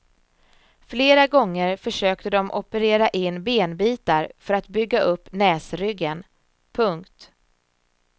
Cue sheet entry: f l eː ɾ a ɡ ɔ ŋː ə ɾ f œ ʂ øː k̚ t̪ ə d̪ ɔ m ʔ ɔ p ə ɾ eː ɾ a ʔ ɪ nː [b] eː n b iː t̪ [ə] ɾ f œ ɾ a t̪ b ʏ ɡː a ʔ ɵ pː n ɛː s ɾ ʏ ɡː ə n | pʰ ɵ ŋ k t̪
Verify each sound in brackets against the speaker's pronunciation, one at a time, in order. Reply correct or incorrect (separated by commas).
correct, incorrect